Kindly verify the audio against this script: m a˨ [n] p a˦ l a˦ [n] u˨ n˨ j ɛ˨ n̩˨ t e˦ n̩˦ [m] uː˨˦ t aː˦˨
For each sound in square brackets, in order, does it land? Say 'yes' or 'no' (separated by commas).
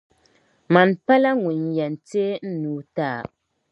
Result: yes, no, no